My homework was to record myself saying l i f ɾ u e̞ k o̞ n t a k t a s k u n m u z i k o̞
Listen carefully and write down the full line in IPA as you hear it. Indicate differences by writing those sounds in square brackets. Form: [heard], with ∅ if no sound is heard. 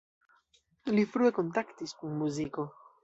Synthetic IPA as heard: l i f ɾ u e̞ k o̞ n t a k t [i] s k u n m u z i k o̞